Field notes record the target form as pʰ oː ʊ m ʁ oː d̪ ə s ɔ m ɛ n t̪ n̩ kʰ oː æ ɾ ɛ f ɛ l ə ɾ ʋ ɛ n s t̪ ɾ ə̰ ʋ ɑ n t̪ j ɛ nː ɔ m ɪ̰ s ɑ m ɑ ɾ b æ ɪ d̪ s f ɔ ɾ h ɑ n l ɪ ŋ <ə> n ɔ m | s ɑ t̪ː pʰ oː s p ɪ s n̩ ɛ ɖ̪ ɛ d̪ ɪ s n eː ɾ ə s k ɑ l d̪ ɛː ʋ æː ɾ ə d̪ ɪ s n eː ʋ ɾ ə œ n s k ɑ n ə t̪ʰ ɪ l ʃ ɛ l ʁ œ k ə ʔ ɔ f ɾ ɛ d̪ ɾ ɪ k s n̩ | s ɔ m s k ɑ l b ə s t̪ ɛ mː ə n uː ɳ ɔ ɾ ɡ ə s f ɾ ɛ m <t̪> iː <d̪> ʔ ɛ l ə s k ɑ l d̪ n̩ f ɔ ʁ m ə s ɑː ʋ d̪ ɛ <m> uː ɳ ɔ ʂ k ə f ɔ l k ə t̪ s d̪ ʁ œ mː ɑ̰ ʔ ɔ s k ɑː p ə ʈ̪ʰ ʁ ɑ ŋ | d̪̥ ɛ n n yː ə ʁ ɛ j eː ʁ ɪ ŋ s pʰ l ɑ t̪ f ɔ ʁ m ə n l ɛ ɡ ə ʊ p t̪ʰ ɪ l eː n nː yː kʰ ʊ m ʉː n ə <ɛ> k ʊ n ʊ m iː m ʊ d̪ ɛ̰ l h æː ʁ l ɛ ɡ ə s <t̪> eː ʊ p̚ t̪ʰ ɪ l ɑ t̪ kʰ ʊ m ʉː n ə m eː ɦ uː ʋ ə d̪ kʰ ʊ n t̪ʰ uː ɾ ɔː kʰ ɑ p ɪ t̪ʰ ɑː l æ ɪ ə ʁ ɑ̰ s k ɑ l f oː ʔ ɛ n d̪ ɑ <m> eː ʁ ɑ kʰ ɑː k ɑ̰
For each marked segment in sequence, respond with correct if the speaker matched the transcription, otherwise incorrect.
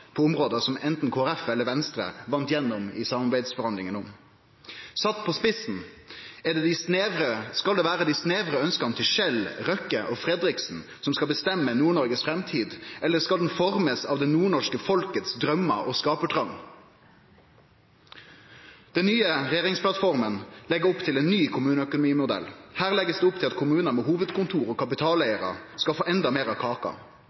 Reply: correct, incorrect, correct, incorrect, incorrect, incorrect, correct

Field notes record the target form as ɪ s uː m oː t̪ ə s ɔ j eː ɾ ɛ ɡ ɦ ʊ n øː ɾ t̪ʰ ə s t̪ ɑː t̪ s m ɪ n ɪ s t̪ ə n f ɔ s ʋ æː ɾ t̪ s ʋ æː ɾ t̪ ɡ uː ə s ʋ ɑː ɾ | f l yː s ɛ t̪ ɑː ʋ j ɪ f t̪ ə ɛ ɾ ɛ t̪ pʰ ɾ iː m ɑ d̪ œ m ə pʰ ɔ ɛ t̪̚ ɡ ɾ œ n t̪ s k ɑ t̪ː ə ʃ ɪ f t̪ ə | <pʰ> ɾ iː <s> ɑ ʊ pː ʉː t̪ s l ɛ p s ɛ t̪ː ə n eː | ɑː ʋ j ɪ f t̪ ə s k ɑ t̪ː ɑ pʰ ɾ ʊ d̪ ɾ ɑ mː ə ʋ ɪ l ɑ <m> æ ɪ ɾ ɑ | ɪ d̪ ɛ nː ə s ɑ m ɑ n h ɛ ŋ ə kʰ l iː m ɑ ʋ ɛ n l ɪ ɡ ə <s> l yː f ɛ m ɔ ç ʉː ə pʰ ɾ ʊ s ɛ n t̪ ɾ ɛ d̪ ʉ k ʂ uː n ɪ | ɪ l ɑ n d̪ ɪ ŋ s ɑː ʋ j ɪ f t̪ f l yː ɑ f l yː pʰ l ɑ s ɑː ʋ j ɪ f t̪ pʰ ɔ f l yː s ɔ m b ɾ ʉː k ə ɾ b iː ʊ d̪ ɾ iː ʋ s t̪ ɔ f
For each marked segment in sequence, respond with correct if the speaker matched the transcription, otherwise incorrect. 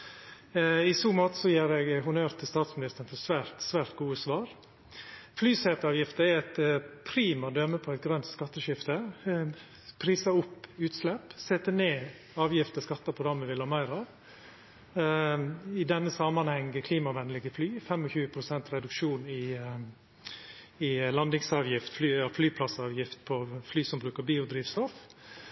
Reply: correct, correct, correct, incorrect

